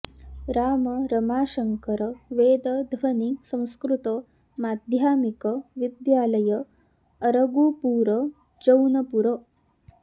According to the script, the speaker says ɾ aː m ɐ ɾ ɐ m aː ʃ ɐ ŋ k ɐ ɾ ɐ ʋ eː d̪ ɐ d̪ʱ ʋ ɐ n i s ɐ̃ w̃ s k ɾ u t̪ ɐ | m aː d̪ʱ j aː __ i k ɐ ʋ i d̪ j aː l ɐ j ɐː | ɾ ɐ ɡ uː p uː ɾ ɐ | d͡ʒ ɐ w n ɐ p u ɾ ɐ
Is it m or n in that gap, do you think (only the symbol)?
m